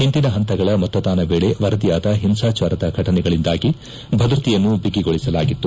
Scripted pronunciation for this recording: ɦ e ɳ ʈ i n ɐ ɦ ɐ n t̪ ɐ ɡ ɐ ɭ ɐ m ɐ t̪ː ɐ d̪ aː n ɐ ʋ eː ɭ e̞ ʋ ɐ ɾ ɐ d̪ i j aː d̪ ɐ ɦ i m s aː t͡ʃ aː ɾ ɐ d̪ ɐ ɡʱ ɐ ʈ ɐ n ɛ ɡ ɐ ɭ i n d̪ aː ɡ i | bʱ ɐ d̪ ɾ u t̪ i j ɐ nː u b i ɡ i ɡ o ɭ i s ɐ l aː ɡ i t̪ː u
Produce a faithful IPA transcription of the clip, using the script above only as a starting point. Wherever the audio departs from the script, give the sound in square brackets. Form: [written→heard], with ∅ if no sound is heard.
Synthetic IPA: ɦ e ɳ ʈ i n ɐ ɦ ɐ n t̪ ɐ ɡ ɐ ɭ ɐ m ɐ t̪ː ɐ d̪ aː n ɐ ʋ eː ɭ e̞ ʋ ɐ ɾ ɐ d̪ i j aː d̪ ɐ ɦ i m s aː t͡ʃ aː ɾ ɐ d̪ ɐ ɡʱ ɐ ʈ ɐ n ɛ ɡ ɐ ɭ i n d̪ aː ɡ i | bʱ ɐ d̪ ɾ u t̪ i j ɐ nː u b i ɡ i ɡ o ɭ i s ɐ l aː ɡ i t̪ː u